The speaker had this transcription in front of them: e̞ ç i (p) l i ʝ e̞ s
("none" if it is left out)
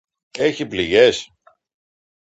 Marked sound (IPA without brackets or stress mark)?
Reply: p